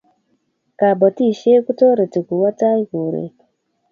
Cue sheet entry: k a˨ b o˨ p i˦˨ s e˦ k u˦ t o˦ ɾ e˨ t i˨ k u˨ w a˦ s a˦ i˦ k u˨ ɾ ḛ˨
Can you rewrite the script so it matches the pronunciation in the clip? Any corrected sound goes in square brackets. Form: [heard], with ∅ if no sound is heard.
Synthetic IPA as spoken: k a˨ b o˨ [t] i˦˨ [ʃ] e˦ k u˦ t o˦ ɾ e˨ t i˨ k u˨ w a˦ [t] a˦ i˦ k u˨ ɾ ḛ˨

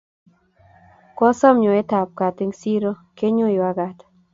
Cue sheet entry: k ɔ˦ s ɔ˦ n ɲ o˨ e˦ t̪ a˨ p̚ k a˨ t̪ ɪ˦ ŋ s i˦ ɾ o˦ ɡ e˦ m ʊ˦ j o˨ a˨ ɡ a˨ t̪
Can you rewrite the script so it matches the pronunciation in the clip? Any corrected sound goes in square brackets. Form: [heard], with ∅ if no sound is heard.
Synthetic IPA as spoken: k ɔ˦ s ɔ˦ [m] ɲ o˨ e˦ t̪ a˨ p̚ k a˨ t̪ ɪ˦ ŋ s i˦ ɾ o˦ [k] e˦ [ɲ] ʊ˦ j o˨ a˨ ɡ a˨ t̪

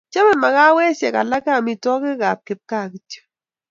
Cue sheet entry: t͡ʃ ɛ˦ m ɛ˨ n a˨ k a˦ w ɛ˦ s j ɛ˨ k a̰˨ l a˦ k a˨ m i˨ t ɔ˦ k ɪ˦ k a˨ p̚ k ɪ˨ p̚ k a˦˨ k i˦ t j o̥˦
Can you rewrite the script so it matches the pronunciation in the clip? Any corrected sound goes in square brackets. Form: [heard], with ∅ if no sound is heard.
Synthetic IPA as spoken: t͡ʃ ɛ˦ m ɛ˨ [m] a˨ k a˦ w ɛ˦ s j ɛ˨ k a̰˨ l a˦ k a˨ m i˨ t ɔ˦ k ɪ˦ k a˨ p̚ k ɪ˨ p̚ k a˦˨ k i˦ t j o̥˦

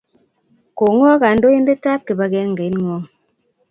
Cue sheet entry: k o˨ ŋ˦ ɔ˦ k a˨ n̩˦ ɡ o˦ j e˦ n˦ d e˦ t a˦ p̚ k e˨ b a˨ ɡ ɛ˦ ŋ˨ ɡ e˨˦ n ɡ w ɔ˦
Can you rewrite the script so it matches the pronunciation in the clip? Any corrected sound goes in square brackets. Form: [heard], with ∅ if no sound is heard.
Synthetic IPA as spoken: k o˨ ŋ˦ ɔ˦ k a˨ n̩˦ [d] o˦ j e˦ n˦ d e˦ t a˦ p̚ k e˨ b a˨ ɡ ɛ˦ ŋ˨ ɡ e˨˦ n [ŋ] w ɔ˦

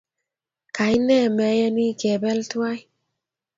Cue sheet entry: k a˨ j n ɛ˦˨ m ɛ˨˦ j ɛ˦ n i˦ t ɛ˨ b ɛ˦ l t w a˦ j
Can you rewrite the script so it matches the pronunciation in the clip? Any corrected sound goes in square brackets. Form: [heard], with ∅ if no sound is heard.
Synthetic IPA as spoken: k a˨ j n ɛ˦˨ m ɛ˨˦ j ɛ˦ n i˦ [k] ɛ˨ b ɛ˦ l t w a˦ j

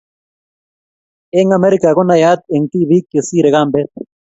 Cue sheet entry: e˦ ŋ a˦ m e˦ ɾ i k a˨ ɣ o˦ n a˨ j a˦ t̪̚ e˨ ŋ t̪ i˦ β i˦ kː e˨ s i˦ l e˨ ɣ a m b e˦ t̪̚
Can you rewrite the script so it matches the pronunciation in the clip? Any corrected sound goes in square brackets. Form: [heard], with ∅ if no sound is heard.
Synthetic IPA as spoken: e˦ ŋ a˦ m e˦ ɾ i k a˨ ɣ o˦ n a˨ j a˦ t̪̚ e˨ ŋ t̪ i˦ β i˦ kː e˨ s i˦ [ɾ] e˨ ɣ a m b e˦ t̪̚

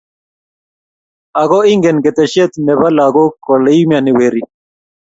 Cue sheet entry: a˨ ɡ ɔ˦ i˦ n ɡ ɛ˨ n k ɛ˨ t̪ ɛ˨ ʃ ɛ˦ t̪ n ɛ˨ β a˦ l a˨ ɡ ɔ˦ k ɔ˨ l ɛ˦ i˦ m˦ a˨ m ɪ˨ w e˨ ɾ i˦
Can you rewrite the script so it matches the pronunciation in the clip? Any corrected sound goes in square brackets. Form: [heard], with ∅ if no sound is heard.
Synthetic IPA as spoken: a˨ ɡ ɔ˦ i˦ [ŋ] ɡ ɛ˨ n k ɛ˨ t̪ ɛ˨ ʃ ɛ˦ t̪ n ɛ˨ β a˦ l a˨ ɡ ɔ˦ k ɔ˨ l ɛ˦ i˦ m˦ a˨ [n] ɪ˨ w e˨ ɾ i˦

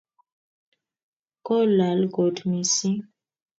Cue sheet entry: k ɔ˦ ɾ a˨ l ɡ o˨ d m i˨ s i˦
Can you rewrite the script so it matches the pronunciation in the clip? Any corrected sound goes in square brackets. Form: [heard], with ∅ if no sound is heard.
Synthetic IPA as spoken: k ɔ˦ [l] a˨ l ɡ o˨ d m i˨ s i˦

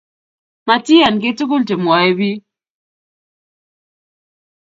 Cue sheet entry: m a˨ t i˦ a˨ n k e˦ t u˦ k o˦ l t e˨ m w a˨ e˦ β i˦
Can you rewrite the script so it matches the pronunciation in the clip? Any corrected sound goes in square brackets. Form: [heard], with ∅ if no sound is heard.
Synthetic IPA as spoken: m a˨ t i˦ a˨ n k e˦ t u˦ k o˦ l t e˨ m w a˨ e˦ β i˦

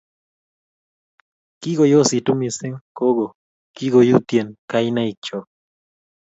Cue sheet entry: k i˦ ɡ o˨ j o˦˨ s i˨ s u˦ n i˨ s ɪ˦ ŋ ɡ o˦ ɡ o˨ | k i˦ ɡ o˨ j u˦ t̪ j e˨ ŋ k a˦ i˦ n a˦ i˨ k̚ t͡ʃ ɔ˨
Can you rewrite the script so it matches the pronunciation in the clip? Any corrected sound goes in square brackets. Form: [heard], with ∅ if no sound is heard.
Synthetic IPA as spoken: k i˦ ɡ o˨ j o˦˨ s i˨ [t] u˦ [m] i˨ s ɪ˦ ŋ [k] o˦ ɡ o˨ | k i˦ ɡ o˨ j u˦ t̪ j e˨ [n] k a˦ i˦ n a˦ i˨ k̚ t͡ʃ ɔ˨

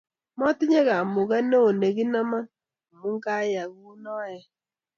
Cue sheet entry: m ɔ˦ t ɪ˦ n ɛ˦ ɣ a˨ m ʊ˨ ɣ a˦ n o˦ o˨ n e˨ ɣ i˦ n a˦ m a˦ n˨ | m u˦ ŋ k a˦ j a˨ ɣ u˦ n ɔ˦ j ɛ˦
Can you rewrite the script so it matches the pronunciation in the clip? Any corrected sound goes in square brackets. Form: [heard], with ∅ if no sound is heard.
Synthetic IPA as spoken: m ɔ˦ t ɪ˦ [ɲ] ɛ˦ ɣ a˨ m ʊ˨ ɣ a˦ n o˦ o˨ n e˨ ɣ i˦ n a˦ m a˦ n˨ | m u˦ ŋ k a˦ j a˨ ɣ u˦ n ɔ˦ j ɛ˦

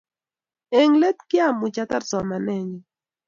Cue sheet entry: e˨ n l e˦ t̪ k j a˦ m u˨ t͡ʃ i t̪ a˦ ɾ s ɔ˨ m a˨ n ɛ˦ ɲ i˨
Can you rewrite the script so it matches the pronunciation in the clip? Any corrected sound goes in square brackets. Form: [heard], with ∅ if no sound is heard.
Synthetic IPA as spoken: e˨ [ŋ] l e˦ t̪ k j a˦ m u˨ t͡ʃ [a] t̪ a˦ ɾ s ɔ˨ m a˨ n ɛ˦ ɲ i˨

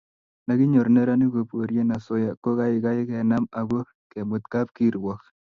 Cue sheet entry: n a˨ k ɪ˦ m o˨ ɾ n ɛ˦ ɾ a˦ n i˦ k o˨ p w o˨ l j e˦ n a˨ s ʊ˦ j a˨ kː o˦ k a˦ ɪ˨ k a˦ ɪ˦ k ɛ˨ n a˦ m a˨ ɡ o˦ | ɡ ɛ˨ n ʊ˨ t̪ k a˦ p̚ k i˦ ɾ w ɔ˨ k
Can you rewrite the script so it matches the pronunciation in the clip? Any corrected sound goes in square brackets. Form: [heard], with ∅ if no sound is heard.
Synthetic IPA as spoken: n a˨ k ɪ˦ [ɲ] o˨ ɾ n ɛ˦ ɾ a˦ n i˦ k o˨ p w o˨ [ɾ] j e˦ n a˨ s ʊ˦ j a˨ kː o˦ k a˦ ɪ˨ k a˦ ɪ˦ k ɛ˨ n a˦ m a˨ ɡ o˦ | [k] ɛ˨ [m] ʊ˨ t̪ k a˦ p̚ k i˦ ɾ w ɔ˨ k

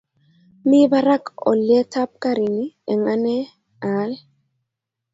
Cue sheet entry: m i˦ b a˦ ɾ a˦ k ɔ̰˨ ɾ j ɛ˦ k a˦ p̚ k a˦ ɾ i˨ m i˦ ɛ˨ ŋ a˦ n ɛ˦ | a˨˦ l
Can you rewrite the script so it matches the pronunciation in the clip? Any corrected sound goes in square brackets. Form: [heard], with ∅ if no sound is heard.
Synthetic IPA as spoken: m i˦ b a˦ ɾ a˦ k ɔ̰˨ [l] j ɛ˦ [t] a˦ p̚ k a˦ ɾ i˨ [n] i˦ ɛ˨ ŋ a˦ n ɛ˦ | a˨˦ l

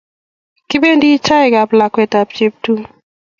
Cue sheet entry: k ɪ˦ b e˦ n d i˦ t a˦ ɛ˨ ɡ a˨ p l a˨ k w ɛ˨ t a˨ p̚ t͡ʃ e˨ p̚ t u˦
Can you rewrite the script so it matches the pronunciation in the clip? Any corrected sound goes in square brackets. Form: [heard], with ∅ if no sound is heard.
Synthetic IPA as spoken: k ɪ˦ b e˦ n d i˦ [t͡ʃ] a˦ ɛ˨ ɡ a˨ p l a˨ k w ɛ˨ t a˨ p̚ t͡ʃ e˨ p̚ t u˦

